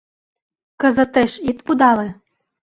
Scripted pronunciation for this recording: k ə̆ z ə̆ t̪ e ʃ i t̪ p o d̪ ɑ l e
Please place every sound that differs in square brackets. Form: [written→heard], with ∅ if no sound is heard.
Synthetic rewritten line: k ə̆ z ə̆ t̪ e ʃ i t̪ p [o→u] d̪ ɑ l e